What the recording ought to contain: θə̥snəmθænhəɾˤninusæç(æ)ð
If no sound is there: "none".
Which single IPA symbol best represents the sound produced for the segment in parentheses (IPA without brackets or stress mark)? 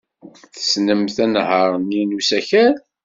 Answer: æ